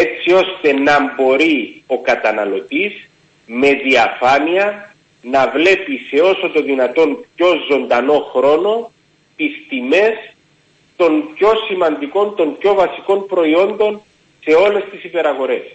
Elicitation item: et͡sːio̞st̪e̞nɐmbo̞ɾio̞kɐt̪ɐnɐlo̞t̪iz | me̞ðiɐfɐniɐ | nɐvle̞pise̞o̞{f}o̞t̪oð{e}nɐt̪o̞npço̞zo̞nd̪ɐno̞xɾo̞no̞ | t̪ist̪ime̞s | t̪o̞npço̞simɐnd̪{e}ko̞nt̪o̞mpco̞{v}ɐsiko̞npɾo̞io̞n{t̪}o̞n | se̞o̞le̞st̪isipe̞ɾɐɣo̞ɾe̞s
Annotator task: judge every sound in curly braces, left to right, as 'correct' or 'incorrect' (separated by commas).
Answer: incorrect, incorrect, incorrect, correct, incorrect